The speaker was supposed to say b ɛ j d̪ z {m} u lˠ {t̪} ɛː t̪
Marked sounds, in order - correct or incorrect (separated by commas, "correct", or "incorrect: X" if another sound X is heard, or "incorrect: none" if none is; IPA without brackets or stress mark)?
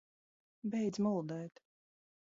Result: correct, incorrect: d̪